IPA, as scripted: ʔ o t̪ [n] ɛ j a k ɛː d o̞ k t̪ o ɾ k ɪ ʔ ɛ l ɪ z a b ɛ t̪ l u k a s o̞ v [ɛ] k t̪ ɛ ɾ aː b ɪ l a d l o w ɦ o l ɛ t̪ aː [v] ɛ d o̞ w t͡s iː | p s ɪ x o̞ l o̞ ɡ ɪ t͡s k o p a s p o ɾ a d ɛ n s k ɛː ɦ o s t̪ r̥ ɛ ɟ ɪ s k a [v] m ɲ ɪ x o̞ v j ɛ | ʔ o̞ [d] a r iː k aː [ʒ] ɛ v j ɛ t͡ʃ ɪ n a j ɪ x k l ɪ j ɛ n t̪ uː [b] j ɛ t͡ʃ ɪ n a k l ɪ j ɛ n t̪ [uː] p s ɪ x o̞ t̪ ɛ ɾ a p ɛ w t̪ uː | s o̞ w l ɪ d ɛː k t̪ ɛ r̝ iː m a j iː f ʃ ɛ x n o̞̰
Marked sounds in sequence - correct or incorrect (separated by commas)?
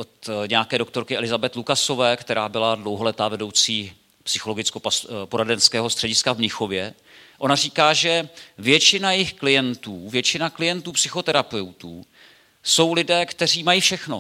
incorrect, incorrect, correct, correct, incorrect, correct, incorrect, correct